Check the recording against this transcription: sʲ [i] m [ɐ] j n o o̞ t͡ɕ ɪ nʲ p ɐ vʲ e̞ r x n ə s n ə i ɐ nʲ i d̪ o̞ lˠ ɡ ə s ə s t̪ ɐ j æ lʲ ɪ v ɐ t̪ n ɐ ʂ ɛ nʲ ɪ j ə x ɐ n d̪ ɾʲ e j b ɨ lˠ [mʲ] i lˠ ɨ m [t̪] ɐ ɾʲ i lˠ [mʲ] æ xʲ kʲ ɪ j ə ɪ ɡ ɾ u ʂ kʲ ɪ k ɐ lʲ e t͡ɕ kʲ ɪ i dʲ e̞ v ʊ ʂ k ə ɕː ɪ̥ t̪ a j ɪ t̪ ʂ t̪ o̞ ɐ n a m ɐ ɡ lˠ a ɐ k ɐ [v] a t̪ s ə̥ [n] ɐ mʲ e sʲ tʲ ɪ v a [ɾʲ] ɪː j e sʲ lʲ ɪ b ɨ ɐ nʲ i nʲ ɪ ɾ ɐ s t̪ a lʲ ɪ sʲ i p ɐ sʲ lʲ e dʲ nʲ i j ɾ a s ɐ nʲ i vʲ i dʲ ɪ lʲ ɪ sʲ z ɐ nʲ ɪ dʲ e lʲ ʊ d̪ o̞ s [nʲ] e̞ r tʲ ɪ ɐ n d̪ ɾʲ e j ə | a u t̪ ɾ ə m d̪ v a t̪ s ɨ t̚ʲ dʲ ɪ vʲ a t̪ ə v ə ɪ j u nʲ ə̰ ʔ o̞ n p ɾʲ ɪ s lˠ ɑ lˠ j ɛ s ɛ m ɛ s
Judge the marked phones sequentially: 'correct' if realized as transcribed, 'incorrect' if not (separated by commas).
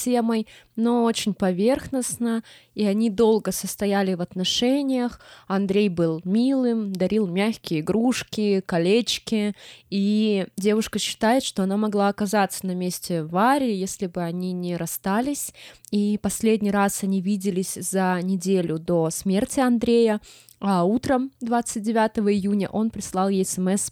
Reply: incorrect, incorrect, correct, incorrect, correct, incorrect, correct, correct, incorrect